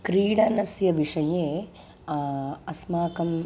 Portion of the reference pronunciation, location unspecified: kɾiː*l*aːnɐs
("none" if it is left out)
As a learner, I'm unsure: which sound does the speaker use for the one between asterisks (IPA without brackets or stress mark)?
ɽ